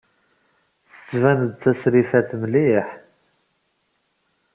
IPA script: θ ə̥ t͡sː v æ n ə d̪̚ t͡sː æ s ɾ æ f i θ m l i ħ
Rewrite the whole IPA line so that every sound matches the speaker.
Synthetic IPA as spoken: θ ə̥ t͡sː v æ n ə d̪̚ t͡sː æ s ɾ i f æ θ m l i ħ